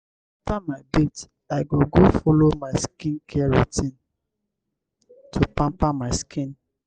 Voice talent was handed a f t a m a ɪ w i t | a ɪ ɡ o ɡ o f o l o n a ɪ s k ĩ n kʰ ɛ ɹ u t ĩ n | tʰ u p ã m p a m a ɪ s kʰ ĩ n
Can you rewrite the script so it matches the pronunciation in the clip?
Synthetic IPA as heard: a f t a m a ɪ b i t | a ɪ ɡ o ɡ o f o l o m a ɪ s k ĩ n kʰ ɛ ɹ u t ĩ n | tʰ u p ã m p a m a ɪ s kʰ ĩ n